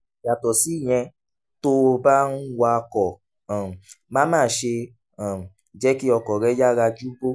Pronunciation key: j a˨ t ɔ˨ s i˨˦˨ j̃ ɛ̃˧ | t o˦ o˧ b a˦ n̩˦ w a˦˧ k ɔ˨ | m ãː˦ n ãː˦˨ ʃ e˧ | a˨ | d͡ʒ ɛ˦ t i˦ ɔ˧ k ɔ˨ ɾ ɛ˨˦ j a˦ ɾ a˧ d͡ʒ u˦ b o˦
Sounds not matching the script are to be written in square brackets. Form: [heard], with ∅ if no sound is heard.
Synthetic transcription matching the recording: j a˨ t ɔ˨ s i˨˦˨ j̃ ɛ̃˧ | t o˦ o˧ b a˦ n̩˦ w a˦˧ k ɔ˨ | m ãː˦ [m] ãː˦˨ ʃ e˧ | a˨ | d͡ʒ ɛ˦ [k] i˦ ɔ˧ k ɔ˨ ɾ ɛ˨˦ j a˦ ɾ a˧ d͡ʒ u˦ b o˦